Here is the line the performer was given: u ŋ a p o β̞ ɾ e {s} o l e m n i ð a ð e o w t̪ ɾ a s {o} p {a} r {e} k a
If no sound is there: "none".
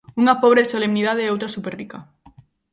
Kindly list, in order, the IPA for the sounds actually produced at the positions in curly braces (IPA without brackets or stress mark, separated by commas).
s, u, e, i